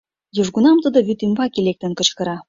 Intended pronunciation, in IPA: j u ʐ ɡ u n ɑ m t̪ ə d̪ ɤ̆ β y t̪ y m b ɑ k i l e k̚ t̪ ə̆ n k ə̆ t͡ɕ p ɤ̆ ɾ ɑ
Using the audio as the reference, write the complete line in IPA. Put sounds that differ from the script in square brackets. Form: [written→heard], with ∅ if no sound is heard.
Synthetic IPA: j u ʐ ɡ u n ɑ m t̪ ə d̪ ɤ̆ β y t̪ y m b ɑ k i l e k̚ t̪ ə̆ n k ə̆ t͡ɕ [p→k] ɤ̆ ɾ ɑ